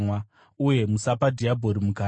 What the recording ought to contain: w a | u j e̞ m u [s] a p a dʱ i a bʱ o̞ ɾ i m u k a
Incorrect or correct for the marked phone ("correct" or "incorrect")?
correct